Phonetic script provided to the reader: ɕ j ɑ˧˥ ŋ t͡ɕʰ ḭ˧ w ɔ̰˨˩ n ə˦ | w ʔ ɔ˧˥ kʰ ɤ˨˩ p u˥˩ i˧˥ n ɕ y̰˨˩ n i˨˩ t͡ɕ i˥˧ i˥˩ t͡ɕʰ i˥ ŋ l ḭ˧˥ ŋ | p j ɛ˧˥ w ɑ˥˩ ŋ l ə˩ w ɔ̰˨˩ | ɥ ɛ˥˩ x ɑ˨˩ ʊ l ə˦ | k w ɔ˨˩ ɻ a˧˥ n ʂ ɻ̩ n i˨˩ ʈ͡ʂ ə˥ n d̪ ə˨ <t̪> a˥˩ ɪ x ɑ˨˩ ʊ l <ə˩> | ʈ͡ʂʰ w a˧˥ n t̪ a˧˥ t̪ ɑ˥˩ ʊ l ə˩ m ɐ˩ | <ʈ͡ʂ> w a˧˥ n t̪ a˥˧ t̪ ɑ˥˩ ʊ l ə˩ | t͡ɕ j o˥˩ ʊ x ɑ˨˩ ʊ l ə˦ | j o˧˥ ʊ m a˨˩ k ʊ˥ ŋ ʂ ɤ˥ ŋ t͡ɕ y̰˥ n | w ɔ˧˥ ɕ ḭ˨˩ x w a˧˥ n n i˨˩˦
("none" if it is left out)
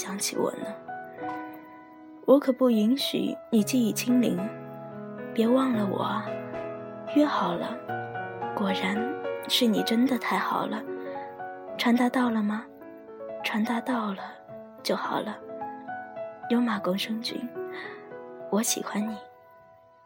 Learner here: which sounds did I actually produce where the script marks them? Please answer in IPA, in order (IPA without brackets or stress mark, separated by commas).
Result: t̪ʰ, ə˦, ʈ͡ʂʰ